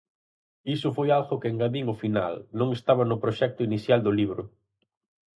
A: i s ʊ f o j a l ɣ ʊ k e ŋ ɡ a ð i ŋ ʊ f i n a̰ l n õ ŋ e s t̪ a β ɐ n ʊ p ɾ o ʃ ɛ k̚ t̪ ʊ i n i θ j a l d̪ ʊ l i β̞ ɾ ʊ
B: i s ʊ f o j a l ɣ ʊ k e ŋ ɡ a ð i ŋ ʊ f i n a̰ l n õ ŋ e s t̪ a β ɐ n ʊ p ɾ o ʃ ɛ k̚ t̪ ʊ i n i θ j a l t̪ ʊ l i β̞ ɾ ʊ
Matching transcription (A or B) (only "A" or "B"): A